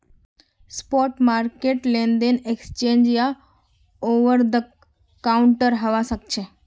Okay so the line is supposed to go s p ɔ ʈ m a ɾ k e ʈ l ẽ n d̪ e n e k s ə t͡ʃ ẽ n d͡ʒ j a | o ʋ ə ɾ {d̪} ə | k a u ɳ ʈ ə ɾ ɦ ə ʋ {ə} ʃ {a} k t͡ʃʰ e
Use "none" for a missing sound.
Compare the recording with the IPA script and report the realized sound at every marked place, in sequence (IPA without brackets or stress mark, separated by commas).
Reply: d̪, a, ə